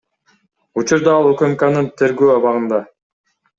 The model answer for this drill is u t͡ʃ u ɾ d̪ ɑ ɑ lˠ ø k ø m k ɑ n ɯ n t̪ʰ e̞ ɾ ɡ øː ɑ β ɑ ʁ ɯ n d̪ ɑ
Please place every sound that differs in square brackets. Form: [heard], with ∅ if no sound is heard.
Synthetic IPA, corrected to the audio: u t͡ʃ u ɾ d̪ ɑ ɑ lˠ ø k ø m k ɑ n ɯ n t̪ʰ e̞ ɾ ɡ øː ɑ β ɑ ʁ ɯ n d̪ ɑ